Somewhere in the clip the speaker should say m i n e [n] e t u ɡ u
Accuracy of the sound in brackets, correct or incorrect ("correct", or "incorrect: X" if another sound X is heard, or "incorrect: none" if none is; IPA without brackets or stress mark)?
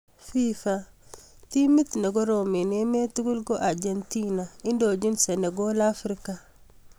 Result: incorrect: m